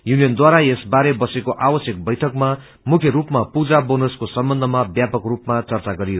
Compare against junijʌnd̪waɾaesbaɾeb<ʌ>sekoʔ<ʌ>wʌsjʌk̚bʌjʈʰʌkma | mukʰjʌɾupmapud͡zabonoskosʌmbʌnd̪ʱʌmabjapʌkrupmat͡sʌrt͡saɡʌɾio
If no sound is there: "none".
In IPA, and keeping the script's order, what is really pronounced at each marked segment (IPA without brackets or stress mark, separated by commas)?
ʌ, a